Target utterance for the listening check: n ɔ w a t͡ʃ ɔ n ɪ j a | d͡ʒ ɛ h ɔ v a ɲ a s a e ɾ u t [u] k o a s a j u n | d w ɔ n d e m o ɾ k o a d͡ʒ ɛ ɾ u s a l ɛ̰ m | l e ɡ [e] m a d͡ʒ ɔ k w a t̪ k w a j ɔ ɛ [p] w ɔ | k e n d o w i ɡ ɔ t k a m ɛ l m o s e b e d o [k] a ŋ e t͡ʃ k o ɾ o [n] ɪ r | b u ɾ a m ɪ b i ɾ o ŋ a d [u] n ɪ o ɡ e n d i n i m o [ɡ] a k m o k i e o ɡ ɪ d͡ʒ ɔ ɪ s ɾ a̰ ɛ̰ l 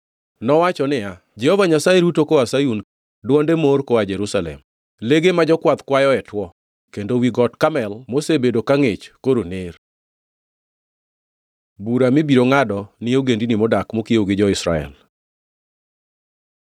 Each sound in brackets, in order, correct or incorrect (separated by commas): incorrect, correct, incorrect, correct, correct, incorrect, incorrect